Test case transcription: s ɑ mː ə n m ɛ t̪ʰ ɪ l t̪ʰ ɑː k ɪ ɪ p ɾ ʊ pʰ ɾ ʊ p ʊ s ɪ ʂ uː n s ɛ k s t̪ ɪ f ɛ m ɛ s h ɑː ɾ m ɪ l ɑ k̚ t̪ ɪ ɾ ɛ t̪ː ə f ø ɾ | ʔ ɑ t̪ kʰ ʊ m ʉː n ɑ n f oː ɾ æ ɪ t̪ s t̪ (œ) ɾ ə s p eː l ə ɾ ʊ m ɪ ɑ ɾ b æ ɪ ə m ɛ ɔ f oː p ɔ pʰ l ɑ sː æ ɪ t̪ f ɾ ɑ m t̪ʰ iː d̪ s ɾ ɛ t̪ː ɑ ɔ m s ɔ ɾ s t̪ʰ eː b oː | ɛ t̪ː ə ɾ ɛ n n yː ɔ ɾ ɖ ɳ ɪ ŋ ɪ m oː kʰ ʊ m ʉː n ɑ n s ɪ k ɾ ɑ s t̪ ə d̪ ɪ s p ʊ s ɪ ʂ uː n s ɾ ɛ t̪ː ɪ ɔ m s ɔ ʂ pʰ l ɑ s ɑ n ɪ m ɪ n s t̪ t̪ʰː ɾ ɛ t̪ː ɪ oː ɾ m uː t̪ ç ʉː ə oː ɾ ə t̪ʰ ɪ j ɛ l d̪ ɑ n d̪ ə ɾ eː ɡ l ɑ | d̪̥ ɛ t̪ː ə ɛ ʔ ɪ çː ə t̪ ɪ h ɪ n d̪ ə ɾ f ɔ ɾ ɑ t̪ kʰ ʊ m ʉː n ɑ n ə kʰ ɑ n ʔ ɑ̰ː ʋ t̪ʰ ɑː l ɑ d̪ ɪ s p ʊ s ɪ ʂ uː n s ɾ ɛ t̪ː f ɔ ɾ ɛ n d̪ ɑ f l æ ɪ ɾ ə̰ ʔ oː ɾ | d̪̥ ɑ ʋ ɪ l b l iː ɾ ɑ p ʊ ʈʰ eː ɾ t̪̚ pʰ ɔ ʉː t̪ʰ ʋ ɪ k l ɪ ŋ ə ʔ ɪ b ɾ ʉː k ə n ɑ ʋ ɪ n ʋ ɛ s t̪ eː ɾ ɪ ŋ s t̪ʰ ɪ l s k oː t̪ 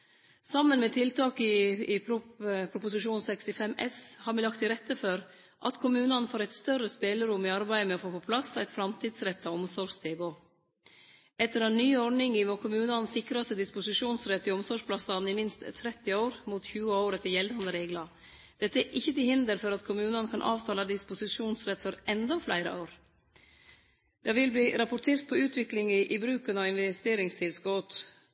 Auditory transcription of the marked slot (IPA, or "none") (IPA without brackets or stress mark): œ